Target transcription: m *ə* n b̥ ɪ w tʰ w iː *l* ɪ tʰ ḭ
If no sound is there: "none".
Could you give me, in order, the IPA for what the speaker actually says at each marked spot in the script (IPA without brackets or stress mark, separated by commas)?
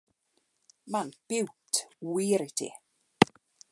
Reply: a, ɾ